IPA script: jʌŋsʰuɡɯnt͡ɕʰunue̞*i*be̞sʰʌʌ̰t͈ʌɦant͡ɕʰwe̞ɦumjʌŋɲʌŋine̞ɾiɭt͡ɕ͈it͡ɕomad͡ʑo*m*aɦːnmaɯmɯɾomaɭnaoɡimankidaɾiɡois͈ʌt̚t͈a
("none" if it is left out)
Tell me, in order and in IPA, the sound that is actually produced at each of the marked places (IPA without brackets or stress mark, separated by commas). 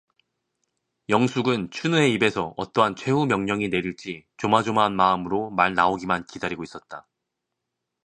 i, m